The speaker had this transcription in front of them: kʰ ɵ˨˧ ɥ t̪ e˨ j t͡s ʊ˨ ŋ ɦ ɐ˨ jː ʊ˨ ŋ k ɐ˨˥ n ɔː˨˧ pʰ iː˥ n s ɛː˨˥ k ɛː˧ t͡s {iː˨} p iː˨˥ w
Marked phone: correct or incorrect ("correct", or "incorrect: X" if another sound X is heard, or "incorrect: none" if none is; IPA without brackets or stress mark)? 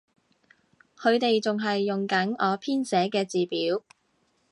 correct